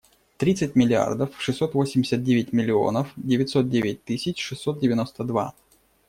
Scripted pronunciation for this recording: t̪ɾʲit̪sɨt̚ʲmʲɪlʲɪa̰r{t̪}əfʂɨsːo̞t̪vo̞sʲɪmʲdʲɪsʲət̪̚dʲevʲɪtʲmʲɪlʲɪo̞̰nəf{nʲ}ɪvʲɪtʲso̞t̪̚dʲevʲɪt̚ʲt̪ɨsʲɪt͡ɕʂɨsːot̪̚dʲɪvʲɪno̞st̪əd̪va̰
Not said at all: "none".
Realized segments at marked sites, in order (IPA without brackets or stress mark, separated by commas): d̪, dʲ